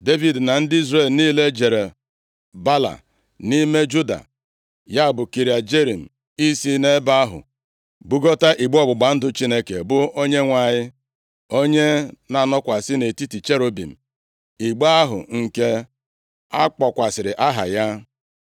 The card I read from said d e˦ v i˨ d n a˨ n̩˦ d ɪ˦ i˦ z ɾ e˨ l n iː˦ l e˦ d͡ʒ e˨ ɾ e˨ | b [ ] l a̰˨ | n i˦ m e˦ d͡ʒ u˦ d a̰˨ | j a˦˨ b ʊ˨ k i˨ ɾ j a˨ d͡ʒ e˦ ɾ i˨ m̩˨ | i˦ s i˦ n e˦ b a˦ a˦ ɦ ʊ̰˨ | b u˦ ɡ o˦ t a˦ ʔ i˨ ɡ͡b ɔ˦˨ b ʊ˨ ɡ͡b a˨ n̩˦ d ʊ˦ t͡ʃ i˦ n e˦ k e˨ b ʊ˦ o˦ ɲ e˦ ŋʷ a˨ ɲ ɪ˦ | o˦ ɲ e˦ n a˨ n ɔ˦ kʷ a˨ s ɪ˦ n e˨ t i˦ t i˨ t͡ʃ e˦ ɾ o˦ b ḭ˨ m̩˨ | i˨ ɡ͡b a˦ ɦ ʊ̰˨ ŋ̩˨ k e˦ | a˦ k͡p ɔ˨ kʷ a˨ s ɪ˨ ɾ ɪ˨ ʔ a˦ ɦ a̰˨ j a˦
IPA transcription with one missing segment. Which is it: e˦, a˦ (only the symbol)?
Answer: a˦